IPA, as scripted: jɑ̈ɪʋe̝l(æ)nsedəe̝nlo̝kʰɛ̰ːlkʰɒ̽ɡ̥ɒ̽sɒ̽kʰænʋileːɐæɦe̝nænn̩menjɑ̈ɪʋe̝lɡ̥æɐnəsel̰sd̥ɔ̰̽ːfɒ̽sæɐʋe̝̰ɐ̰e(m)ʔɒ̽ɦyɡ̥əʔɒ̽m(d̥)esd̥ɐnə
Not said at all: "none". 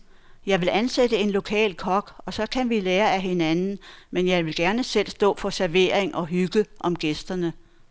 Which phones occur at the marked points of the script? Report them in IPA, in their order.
æ, ŋ, ɡ̥

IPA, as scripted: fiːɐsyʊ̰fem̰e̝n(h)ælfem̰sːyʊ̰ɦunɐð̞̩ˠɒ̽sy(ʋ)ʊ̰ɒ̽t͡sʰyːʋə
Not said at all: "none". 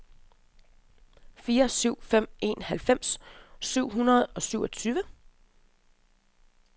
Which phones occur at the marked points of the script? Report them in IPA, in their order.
h, none

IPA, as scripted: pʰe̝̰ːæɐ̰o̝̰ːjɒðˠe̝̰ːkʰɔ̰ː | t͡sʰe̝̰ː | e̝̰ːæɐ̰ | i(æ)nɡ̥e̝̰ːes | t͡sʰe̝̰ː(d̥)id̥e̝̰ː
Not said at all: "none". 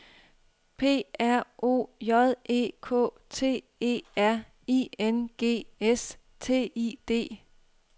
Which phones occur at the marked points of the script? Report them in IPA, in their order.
e, none

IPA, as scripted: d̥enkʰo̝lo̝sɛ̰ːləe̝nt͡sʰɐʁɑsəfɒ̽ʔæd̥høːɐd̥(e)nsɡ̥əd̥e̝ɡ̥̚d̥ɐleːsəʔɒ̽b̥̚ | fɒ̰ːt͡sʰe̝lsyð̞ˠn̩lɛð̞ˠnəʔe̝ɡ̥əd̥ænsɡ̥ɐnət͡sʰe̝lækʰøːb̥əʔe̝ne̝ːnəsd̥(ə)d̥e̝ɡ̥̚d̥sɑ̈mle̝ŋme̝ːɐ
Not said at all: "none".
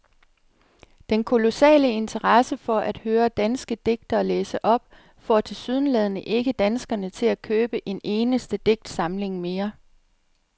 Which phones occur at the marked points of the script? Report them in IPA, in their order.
æ, ə

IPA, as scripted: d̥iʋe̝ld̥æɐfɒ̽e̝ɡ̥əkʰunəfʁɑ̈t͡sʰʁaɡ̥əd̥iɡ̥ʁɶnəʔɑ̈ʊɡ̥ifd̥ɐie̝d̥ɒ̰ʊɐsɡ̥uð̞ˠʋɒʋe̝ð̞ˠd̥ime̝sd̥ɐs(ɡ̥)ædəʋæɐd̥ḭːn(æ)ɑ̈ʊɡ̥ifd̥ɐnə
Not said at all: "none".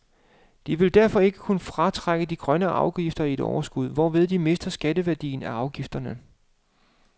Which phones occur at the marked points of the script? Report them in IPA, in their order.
ɡ̥, æ

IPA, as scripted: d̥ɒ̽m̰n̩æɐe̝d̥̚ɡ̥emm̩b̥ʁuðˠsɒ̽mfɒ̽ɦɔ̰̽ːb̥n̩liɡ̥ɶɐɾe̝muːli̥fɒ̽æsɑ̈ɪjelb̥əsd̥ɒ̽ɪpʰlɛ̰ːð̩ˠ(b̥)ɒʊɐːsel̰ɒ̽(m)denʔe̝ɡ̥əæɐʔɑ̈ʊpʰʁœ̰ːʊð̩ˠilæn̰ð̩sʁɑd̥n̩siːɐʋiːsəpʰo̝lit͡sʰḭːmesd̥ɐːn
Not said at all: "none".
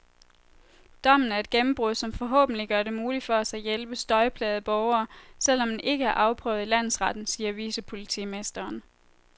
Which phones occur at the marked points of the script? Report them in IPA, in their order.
b̥, m

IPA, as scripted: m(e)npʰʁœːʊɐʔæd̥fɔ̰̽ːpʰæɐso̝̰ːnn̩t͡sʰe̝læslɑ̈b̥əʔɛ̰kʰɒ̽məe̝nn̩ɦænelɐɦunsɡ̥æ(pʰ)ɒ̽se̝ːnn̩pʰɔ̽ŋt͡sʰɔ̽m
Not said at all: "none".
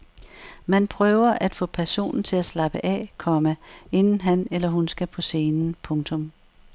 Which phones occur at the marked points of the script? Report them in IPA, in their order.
æ, pʰ

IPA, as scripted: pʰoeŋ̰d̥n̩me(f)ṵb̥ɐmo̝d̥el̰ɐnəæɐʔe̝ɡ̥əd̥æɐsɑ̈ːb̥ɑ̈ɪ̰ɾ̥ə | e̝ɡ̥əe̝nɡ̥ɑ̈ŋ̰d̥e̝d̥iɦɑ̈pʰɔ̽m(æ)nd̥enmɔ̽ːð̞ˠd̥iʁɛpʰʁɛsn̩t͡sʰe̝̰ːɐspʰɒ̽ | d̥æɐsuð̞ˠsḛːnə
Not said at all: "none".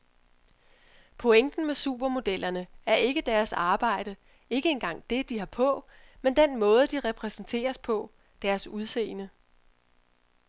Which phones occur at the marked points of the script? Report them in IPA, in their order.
s, e

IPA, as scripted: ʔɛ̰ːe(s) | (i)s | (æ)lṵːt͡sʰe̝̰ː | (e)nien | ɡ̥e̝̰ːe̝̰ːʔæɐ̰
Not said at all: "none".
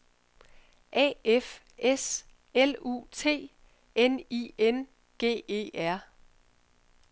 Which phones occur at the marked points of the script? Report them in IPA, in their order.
f, e, e, e

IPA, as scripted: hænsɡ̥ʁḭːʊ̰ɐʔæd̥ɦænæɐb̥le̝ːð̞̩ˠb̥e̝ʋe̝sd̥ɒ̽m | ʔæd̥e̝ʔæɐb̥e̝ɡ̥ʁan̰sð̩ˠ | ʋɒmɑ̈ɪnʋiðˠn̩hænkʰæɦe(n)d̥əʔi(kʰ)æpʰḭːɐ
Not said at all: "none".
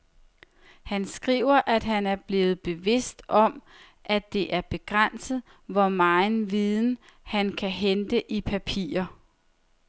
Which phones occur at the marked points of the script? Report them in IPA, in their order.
n, pʰ

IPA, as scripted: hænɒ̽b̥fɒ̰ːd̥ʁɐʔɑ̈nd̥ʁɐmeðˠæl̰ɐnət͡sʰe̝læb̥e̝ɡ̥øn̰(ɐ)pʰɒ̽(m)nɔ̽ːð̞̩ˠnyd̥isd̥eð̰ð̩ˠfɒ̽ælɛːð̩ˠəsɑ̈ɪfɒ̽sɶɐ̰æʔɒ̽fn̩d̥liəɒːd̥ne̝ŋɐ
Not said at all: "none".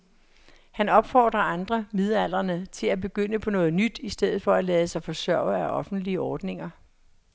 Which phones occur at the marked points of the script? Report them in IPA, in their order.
ə, none

